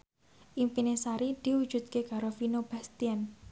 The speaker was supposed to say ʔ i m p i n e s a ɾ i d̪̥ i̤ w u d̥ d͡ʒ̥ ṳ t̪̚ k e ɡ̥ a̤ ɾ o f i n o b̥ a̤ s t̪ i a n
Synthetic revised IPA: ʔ i m p i n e s a ɾ i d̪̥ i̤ w u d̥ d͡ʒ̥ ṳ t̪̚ k e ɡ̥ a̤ ɾ o f i n o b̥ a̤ s t̪ i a n